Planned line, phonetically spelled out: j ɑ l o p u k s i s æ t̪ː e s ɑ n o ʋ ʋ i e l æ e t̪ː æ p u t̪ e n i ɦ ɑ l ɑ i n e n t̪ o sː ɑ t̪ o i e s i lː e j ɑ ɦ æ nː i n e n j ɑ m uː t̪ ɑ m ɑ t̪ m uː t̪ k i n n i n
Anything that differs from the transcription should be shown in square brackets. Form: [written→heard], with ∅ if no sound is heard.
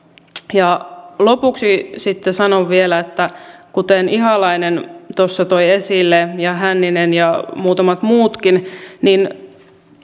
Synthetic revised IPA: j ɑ l o p u k s i s [æ→i] t̪ː e s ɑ n o ʋ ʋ i e l æ e t̪ː æ [p→k] u t̪ e n i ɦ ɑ l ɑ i n e n t̪ o sː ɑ t̪ o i e s i lː e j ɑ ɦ æ nː i n e n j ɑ m uː t̪ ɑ m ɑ t̪ m uː t̪ k i n n i n

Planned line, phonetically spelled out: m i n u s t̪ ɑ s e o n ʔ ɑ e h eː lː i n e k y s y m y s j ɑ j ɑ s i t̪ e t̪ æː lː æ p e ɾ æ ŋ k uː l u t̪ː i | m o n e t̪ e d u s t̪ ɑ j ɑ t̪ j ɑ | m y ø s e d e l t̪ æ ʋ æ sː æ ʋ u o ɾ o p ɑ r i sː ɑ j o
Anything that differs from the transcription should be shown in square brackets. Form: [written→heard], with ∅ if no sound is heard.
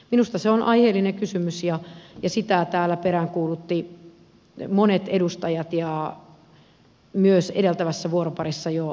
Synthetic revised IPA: m i n u s t̪ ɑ s e o n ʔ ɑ [e→i] h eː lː i n e k y s y m y s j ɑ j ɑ s i t̪ [e→æ] t̪ æː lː æ p e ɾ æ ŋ k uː l u t̪ː i | m o n e t̪ e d u s t̪ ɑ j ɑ t̪ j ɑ | m y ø s e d e l t̪ æ ʋ æ sː æ ʋ u o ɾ o p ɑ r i sː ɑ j o

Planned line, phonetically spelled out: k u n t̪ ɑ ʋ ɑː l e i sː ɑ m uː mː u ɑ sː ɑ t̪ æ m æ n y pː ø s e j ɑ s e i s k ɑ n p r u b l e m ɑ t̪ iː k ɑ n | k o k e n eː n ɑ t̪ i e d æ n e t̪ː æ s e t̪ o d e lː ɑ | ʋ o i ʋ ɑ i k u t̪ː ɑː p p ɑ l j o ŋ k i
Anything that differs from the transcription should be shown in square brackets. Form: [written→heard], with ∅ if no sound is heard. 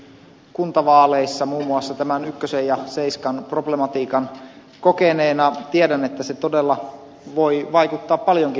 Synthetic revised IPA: k u n t̪ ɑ ʋ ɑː l e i sː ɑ m uː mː u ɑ sː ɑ t̪ æ m æ n y [pː→kː] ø s e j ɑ s e i s k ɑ n p r [u→o] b l e m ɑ t̪ iː k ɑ n | k o k e n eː n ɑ t̪ i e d æ n e t̪ː æ s e t̪ o d e lː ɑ | ʋ o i ʋ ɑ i k u t̪ː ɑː p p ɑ l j o ŋ k i

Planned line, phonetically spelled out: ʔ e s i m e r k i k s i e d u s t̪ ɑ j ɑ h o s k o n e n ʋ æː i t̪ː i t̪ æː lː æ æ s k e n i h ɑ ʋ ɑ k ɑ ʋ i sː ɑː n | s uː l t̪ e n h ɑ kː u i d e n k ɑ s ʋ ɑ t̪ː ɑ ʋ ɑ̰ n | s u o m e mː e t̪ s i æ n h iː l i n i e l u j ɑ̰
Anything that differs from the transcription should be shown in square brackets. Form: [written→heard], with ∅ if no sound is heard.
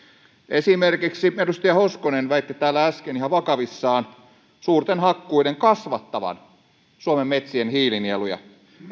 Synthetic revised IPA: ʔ e s i m e r k i k s i e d u s t̪ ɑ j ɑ h o s k o n e n ʋ [æː→æ] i t̪ː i t̪ æː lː æ æ s k e n i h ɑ ʋ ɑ k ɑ ʋ i sː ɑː n | s uː [l→r] t̪ e n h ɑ kː u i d e [n→ŋ] k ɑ s ʋ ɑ t̪ː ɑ ʋ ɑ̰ n | s u o m e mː e t̪ s i [æ→e] n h iː l i n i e l u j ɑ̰

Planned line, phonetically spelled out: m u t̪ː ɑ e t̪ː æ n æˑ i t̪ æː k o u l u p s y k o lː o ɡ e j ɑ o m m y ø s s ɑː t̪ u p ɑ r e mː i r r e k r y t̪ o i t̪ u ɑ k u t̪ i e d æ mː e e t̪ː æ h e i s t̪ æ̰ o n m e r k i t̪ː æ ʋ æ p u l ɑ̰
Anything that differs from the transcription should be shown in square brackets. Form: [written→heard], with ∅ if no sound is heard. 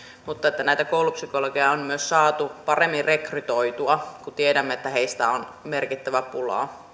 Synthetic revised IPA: m u t̪ː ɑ e t̪ː æ n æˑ i t̪ [æː→æ] k o u l u p s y k o [lː→l] o ɡ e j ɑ o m m y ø s s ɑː t̪ u p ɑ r e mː i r r e k r y t̪ o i t̪ u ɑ k u t̪ i e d æ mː e e t̪ː æ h e i s t̪ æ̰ o n m e r k i t̪ː æ ʋ æ p u l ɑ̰

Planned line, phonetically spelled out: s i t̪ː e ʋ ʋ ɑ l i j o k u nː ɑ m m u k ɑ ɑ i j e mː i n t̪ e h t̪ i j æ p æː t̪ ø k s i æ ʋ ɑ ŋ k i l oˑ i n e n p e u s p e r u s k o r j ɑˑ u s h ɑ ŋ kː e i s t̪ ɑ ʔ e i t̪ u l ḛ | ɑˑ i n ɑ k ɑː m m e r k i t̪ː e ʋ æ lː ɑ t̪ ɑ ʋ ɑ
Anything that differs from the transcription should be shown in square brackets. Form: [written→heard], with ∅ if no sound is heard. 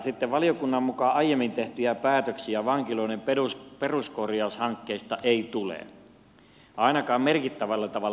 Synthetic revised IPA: s i t̪ː e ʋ ʋ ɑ l i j o k u nː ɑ m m u k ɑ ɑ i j e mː i n t̪ e h t̪ [i→y] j æ p æː t̪ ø k s i æ ʋ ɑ ŋ k i l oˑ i n e [n→m] p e u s p e r u s k o r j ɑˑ u s h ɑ ŋ kː e i s t̪ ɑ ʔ e i t̪ u l ḛ | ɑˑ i n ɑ k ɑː m m e r k i t̪ː [e→æ] ʋ æ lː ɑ t̪ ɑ ʋ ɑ

